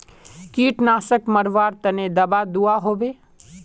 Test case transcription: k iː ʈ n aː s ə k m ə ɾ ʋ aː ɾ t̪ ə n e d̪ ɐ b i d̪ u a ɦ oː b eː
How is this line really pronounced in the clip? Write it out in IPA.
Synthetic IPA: k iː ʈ n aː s ə k m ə ɾ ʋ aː ɾ t̪ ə n e d̪ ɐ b a d̪ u a ɦ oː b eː